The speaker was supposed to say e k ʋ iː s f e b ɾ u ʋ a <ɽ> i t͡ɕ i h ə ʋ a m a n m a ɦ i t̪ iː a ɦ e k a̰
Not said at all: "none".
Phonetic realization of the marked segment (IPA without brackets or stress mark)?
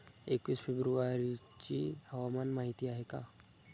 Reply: ɾ